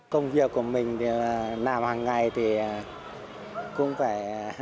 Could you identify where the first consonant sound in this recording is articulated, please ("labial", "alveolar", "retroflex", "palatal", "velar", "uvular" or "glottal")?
velar